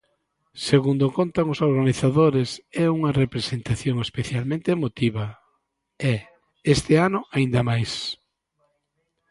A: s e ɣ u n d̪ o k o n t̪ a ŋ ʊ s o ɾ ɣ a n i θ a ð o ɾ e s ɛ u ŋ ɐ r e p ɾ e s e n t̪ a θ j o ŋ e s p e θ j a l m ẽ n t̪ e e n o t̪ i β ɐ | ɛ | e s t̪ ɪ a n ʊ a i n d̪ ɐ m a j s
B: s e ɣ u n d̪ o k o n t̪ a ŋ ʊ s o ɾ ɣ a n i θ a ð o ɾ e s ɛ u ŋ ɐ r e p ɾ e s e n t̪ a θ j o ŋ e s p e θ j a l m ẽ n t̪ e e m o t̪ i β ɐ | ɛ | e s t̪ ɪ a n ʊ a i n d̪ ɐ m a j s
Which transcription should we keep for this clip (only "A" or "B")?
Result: B